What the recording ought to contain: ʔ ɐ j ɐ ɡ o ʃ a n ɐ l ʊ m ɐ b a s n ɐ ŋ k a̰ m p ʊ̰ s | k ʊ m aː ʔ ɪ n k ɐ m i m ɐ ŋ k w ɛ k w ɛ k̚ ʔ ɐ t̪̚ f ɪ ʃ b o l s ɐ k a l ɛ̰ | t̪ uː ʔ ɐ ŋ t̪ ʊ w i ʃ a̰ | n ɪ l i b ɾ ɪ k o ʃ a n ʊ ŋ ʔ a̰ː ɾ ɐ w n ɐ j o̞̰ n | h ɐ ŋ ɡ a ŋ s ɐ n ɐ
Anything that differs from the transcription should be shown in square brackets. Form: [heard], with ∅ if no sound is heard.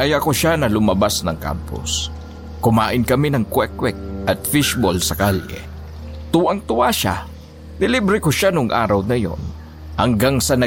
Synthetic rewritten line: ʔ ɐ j ɐ [k] o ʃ a n ɐ l ʊ m ɐ b a s n ɐ ŋ k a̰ m p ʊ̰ s | k ʊ m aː ʔ ɪ n k ɐ m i [n] ɐ ŋ k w ɛ k w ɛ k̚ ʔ ɐ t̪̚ f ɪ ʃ b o l s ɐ k a l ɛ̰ | t̪ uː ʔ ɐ ŋ t̪ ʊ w [a] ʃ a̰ | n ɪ l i b ɾ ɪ k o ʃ a n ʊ ŋ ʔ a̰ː ɾ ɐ w n ɐ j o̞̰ n | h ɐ ŋ ɡ a ŋ s ɐ n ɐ